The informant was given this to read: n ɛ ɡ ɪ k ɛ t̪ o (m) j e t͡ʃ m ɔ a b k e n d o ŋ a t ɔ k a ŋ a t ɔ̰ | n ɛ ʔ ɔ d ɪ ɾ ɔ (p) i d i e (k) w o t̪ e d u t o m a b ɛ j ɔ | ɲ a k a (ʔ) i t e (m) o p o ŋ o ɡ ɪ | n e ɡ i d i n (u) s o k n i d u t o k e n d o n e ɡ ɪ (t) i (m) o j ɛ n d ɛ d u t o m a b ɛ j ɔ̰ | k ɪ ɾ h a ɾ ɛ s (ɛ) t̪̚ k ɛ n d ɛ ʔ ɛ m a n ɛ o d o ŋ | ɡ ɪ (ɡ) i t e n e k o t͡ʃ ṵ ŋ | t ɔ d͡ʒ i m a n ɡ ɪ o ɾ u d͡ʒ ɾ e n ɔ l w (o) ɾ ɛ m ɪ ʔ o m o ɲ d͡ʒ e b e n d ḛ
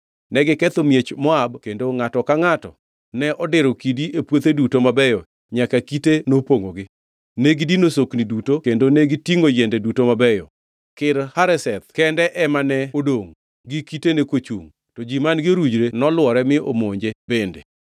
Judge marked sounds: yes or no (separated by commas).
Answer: yes, no, no, no, no, no, yes, no, yes, no, no